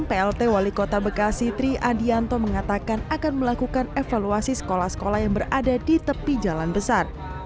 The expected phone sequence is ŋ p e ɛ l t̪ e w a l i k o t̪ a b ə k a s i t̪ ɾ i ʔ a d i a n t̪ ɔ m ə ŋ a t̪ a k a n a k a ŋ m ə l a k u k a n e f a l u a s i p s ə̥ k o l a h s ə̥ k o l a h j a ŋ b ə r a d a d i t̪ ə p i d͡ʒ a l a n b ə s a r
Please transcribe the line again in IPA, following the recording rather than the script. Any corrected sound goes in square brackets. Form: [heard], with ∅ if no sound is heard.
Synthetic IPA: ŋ p e ɛ l t̪ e w a l i k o t̪ a b ə k a s i t̪ ɾ i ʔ a d i a n t̪ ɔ m ə ŋ a t̪ a k a n a k a [n] m ə l a k u k a n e f a l u a s i [∅] s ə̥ k o l a h s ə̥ k o l a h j a ŋ b ə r a d a d i t̪ ə p i d͡ʒ a l a n b ə s a r